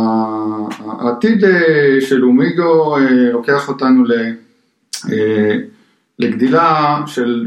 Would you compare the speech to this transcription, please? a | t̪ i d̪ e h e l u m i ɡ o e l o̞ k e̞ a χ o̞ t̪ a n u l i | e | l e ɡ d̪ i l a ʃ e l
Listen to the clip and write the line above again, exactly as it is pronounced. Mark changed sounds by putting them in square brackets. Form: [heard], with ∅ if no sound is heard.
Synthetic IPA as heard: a | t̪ i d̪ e [ʃ] e l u m i ɡ o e l o̞ k e̞ a χ o̞ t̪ a n u l [e] | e | l e ɡ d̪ i l a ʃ e l